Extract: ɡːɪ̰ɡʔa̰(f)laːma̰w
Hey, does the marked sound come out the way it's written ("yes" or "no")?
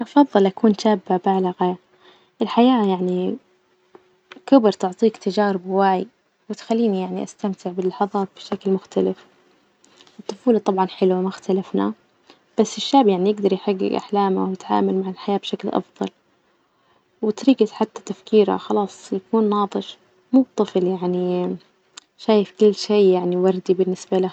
no